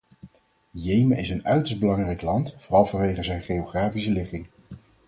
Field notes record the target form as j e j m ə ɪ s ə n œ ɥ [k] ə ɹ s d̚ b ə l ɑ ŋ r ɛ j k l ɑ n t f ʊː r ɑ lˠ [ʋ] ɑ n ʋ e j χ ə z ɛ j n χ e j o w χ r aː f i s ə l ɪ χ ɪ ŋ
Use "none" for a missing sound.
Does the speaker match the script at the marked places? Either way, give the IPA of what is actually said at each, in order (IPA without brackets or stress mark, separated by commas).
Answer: t, v